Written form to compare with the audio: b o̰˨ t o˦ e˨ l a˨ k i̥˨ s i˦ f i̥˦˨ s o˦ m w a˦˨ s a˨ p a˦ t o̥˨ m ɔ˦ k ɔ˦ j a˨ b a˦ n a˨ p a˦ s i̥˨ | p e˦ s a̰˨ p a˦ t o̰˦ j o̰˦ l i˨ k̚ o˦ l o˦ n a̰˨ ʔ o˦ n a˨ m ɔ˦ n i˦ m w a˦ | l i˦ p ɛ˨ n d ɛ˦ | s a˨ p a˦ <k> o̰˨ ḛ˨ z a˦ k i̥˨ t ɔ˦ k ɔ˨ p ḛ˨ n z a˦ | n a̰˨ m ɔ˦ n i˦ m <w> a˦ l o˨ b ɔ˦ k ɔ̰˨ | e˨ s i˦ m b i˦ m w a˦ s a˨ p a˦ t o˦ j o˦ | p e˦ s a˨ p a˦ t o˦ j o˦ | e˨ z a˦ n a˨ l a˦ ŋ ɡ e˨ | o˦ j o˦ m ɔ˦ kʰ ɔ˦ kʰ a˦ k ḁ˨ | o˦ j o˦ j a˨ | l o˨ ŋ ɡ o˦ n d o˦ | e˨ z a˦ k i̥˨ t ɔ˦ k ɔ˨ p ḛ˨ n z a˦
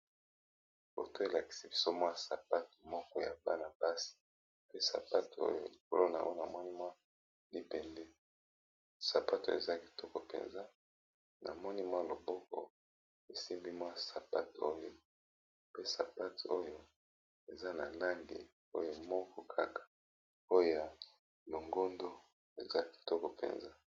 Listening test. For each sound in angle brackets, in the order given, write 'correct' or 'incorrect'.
incorrect: t, correct

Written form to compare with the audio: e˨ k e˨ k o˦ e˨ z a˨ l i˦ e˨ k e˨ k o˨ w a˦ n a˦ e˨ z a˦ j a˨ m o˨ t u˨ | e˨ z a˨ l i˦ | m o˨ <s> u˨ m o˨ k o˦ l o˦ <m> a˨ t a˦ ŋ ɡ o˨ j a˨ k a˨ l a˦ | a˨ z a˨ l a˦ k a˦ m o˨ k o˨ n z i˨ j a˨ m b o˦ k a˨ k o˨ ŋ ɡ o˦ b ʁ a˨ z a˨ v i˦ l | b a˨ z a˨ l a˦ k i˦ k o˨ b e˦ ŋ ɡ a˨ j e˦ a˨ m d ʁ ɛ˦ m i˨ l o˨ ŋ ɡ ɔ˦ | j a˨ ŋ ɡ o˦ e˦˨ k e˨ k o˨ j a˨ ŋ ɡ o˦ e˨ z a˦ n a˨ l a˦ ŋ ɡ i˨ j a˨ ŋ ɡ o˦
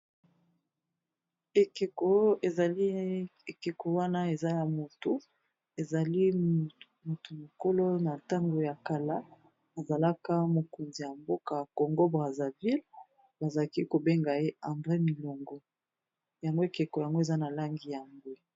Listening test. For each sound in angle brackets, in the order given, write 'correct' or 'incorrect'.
incorrect: t, incorrect: n

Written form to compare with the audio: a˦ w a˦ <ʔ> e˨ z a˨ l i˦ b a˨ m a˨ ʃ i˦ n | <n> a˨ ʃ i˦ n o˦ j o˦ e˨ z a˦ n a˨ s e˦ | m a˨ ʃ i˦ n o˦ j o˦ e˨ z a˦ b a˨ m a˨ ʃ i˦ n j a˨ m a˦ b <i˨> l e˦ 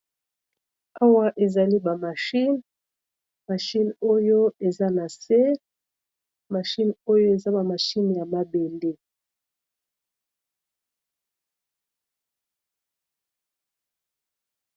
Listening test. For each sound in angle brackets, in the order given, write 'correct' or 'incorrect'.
correct, incorrect: m, incorrect: e˨

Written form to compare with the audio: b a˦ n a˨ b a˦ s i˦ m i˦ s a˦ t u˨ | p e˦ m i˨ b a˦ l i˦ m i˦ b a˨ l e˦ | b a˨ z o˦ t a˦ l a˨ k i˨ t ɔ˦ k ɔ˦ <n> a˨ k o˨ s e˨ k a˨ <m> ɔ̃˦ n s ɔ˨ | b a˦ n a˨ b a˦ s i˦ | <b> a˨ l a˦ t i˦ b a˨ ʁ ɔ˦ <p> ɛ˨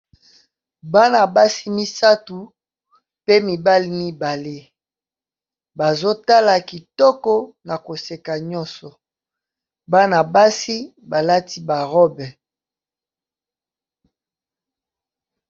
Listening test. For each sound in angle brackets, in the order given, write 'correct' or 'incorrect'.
correct, incorrect: ɲ, correct, incorrect: b

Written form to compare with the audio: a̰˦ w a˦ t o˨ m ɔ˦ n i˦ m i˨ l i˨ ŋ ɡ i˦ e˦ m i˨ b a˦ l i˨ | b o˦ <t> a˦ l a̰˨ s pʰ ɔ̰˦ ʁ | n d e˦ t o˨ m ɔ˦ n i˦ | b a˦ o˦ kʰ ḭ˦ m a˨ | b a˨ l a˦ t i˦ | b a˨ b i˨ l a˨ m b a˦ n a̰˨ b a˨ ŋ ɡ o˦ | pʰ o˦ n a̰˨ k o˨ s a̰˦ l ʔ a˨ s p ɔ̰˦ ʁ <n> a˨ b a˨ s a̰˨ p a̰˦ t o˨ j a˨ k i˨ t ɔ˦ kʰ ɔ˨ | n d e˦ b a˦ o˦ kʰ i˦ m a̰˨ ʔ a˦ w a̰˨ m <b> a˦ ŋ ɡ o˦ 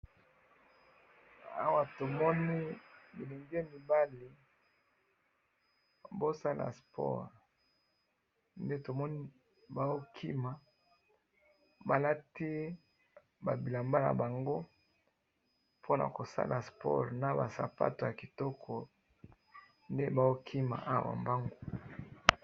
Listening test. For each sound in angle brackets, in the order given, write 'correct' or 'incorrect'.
incorrect: s, correct, correct

